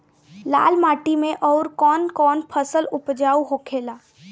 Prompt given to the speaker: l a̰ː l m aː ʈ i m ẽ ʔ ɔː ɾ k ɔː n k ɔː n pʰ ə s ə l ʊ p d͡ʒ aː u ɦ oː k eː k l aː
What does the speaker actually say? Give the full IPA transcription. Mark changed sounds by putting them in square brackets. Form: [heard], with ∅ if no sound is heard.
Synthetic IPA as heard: l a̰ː l m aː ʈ i m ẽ ʔ ɔː ɾ k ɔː n k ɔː n pʰ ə s ə l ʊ p d͡ʒ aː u ɦ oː [kʰ] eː [∅] l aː